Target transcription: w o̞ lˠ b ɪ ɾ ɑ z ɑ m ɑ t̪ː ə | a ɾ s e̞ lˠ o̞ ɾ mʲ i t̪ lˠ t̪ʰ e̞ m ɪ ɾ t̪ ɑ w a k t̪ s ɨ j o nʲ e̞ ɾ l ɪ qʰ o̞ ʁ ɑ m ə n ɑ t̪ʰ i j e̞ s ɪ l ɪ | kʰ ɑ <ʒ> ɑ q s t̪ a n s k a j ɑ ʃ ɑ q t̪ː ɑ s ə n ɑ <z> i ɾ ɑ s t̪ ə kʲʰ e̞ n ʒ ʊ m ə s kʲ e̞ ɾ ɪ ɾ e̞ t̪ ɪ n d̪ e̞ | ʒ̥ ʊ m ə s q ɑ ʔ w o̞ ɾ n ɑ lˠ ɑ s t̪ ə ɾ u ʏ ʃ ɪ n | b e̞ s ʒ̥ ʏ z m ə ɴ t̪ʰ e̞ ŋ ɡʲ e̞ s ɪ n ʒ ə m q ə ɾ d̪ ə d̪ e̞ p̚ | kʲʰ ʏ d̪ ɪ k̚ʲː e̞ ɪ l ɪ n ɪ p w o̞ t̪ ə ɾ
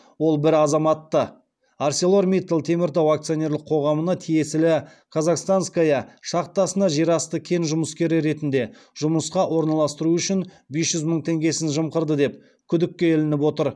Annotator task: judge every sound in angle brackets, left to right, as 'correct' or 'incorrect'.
incorrect: z, incorrect: ʒ

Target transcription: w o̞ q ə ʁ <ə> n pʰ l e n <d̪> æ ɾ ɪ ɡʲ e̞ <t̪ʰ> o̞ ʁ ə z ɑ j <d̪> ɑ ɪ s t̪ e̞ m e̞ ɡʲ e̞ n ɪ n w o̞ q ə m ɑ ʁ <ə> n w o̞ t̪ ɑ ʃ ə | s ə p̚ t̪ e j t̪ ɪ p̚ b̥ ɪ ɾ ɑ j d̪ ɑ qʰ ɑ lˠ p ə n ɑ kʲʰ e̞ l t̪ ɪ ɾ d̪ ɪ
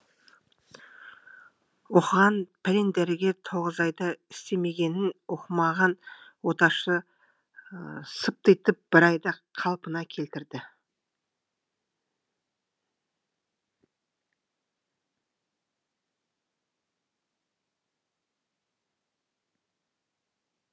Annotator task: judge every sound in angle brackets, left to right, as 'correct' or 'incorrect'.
incorrect: ɑ, correct, correct, correct, incorrect: ɑ

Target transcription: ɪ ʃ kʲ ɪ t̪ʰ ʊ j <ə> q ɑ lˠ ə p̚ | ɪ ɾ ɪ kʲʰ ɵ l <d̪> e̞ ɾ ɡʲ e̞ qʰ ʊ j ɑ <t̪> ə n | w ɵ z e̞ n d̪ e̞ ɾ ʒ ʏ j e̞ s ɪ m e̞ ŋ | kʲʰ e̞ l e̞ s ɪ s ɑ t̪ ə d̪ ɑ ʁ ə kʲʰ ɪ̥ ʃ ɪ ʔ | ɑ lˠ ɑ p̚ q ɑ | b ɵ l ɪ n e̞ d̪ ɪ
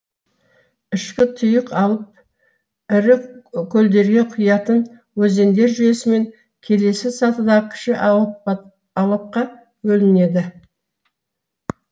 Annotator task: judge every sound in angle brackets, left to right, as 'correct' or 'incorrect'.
correct, correct, correct

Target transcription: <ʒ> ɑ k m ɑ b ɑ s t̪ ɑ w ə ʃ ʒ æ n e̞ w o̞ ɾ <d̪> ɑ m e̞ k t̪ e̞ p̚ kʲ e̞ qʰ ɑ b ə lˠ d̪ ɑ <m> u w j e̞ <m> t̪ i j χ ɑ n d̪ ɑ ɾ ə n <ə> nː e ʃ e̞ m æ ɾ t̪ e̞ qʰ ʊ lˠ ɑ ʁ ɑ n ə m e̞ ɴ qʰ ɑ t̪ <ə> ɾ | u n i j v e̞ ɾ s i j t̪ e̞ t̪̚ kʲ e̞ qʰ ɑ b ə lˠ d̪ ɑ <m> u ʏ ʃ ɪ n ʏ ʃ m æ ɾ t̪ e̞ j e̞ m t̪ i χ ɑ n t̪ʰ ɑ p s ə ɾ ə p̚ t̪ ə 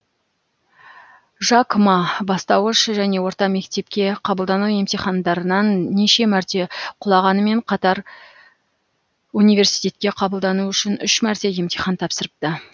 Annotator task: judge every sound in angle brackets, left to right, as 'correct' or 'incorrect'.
correct, incorrect: t̪, incorrect: n, correct, incorrect: ɑ, incorrect: ɑ, incorrect: n

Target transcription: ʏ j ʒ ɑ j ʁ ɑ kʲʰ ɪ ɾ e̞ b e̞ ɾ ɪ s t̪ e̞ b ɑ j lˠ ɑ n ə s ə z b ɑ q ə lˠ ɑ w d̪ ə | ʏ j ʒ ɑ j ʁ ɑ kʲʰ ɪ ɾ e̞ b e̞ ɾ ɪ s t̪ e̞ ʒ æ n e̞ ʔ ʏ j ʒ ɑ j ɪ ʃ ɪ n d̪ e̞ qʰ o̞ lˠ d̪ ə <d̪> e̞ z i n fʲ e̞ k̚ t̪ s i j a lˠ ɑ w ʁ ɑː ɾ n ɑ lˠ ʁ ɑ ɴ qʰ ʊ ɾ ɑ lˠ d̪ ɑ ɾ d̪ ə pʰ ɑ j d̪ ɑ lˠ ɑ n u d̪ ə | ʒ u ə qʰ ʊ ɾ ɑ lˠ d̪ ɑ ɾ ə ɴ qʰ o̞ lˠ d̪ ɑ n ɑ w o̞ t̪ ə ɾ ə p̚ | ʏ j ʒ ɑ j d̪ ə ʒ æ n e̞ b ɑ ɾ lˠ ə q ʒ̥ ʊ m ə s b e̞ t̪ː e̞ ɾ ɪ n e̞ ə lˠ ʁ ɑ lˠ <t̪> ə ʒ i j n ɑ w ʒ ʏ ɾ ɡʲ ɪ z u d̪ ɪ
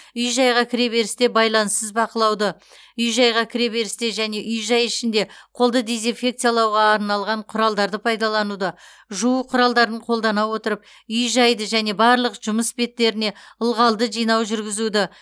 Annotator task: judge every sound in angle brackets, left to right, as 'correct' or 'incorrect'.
correct, incorrect: d̪

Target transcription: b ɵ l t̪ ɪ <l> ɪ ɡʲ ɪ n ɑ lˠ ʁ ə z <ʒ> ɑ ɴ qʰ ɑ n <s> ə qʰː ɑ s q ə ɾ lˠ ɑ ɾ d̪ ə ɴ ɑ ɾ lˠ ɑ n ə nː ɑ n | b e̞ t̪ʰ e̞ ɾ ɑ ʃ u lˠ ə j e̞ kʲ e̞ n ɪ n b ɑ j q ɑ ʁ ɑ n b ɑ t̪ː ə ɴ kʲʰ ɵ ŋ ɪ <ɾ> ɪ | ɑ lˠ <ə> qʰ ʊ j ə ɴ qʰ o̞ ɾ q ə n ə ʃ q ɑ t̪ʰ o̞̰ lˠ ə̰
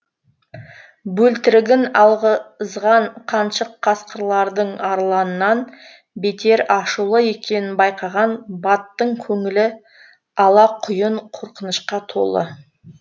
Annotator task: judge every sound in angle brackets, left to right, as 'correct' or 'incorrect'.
incorrect: ɾ, incorrect: ʁ, incorrect: ʃ, incorrect: l, incorrect: ɑ

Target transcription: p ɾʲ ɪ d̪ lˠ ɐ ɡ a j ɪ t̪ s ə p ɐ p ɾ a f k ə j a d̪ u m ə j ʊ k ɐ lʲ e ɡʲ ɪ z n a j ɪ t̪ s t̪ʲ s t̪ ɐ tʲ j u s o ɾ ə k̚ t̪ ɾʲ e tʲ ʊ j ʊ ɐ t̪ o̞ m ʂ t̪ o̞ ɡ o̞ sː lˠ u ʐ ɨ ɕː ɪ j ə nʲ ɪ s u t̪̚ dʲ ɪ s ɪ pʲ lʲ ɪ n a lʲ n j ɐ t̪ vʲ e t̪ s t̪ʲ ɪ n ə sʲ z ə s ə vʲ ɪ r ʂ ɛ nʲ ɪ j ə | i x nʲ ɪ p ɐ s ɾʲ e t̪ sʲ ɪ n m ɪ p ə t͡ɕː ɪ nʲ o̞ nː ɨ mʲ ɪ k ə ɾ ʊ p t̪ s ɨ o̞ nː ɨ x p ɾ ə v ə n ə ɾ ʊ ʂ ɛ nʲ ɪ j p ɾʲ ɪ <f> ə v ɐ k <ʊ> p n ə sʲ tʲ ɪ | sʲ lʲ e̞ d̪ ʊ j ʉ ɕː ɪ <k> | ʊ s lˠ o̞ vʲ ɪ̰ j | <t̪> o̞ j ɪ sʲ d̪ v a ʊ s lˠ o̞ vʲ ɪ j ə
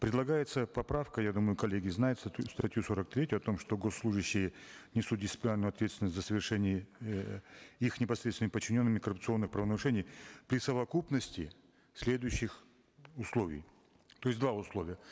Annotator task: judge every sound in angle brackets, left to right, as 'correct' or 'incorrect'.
incorrect: s, incorrect: u, incorrect: x, correct

